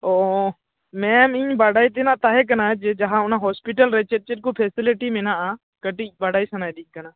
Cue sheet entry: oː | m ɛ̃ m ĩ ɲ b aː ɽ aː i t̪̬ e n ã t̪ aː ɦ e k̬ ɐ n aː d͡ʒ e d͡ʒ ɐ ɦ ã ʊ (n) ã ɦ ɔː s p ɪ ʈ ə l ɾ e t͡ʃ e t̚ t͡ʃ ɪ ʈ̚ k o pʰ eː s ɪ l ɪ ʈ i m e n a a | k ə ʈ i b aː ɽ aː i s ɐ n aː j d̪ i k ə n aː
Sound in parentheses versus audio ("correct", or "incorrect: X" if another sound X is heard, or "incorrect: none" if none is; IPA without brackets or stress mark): correct